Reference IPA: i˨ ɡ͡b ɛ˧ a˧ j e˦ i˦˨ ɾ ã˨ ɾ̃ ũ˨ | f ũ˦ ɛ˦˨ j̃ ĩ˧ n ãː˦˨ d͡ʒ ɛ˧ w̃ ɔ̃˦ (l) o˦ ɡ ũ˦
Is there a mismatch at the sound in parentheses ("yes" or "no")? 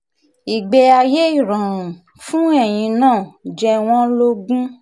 no